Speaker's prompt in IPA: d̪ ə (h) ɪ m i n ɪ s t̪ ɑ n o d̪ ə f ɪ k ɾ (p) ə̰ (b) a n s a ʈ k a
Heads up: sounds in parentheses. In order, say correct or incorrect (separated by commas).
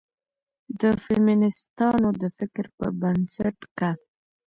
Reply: incorrect, correct, correct